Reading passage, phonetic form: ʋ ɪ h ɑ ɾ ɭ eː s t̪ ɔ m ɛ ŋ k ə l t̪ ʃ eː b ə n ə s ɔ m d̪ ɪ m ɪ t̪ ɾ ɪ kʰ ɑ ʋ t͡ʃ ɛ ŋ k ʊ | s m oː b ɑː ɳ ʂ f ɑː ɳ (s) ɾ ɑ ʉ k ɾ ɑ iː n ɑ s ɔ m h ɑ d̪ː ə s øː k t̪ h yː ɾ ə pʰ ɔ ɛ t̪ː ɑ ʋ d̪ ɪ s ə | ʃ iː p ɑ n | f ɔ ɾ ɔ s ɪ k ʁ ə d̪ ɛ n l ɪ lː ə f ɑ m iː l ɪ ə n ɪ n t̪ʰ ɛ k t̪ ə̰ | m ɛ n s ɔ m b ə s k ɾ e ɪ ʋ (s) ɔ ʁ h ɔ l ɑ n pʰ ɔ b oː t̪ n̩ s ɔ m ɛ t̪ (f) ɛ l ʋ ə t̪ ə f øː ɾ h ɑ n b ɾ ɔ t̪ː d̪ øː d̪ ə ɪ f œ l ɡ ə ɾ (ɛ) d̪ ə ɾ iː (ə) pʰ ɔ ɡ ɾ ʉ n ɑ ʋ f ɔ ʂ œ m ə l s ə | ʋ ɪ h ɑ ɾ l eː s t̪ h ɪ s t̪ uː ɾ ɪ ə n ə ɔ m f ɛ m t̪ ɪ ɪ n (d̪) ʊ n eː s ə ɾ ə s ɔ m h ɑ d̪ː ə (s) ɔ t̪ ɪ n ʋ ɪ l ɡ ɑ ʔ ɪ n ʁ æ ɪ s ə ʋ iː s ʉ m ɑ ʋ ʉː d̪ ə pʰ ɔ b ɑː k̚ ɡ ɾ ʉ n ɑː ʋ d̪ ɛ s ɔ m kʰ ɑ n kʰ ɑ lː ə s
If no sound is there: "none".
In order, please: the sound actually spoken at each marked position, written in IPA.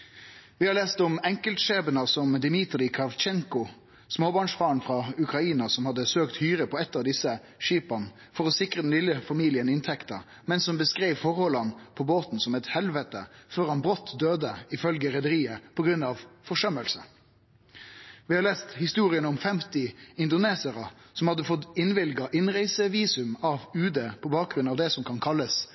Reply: f, f, h, ɛ, ə, d̪, f

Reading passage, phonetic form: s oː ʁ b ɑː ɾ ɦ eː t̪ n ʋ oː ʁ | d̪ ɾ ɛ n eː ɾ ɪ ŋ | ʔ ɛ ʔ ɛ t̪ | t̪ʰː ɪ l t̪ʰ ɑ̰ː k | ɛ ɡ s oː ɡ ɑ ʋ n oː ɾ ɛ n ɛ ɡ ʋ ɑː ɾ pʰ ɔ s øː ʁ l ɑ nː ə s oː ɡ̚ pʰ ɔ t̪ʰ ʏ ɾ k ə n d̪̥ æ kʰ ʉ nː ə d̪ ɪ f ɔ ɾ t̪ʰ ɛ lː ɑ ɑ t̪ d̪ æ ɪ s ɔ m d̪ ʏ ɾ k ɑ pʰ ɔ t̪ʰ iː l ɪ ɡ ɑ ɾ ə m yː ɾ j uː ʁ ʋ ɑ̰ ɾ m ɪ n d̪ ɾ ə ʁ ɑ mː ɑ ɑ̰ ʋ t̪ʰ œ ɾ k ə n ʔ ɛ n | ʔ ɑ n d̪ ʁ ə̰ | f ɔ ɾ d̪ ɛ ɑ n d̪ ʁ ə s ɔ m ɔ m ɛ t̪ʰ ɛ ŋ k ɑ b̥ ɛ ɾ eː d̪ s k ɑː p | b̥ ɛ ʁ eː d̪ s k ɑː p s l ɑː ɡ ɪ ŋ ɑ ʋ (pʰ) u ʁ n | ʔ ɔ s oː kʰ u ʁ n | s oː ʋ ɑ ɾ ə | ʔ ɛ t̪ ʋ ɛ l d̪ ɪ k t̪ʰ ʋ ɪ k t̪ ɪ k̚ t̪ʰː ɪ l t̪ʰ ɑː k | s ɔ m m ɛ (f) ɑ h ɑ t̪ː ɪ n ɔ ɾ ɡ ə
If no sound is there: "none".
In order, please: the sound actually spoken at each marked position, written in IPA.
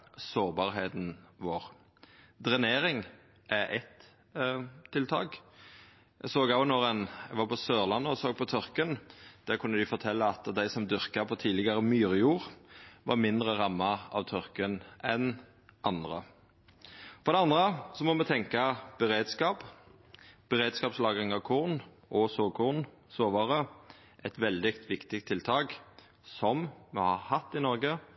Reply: kʰ, h

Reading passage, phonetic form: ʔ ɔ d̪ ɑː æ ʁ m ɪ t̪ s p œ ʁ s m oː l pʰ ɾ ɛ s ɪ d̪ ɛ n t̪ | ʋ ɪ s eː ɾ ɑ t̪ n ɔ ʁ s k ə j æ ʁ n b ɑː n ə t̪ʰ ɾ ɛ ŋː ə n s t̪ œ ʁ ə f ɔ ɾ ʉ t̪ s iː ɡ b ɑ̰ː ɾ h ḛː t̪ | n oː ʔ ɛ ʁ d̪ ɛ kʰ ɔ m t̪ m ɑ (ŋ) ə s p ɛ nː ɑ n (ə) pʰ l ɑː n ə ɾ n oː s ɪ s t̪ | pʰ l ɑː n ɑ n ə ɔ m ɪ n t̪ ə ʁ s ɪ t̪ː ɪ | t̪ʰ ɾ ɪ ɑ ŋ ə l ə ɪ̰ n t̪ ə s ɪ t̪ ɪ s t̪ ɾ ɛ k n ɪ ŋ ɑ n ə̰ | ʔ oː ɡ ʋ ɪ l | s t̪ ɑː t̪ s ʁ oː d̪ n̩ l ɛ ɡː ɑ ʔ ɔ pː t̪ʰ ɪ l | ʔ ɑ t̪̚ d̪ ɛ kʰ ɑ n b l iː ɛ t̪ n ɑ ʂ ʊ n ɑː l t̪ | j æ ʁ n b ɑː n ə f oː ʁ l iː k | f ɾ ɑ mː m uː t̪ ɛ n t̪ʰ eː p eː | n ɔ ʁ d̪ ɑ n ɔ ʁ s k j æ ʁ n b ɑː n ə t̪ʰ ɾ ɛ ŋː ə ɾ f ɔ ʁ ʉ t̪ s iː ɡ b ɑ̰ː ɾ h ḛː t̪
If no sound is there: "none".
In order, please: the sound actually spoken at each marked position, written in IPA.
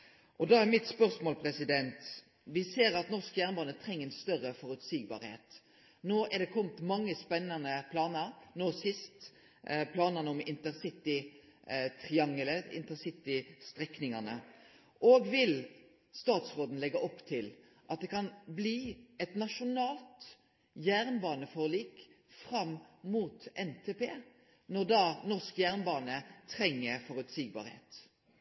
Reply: ŋː, ə

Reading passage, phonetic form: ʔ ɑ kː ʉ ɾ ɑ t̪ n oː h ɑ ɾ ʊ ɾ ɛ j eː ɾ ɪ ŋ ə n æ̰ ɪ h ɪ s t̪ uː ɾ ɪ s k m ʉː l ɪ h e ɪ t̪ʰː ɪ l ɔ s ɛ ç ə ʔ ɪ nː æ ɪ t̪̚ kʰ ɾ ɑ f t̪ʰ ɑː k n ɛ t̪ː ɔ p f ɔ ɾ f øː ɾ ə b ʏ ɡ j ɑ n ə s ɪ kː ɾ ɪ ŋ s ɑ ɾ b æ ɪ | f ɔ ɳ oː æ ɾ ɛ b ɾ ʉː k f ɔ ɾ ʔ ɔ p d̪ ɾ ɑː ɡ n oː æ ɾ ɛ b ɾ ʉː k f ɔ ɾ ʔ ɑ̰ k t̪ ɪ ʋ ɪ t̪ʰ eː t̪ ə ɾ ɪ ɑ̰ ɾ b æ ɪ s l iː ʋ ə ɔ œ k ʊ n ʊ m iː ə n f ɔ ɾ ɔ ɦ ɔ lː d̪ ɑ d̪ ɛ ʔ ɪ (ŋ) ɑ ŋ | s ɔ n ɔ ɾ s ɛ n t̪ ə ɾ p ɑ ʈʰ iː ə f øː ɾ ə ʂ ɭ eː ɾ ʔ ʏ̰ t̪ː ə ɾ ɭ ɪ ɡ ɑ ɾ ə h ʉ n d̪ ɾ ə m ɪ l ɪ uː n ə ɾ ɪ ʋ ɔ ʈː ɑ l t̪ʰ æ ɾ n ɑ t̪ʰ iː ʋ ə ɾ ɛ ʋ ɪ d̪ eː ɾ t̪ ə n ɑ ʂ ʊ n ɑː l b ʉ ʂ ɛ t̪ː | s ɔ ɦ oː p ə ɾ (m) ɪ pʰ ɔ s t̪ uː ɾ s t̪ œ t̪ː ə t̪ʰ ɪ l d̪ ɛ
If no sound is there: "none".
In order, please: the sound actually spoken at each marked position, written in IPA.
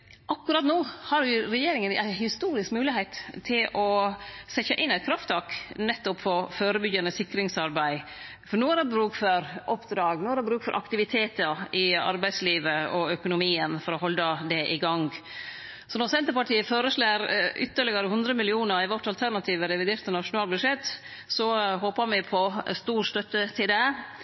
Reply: ɡ, m

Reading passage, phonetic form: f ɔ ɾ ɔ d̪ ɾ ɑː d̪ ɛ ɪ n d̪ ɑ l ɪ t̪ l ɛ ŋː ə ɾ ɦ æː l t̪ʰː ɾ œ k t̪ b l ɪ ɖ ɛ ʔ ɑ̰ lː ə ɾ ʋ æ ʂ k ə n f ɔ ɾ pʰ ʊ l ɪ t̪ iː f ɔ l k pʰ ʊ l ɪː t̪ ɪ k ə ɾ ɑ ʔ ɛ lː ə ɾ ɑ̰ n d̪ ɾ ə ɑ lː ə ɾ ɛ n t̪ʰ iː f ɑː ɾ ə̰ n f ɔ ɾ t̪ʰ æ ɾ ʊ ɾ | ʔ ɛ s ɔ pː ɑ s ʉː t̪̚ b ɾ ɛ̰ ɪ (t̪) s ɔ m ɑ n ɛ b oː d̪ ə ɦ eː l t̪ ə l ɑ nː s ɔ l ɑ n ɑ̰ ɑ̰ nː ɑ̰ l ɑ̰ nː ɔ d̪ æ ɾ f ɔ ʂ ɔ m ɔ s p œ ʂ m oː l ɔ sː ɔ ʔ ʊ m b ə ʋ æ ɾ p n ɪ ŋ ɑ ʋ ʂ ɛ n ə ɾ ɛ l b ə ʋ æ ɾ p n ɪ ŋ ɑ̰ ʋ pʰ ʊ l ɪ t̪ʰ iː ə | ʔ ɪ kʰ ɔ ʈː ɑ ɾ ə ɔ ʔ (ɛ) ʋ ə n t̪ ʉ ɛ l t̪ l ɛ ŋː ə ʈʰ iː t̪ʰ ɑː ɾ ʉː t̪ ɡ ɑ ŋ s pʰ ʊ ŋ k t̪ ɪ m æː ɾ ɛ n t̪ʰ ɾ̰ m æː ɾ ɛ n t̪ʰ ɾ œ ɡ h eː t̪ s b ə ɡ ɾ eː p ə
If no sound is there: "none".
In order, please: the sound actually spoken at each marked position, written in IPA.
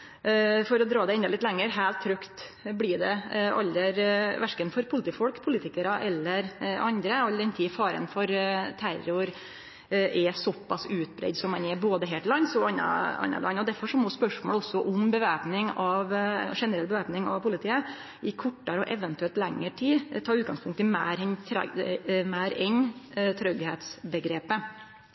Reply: d̪, ɛ

